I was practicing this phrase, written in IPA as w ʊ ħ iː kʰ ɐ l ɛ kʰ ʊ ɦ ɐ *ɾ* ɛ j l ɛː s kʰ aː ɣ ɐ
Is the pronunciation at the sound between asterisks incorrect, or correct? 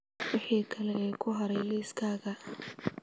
correct